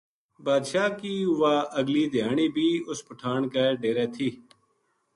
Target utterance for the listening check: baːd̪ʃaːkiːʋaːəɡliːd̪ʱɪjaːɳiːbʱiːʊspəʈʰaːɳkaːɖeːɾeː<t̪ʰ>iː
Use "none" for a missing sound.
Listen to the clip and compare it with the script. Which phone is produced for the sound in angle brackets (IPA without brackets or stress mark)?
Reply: t̪ʰ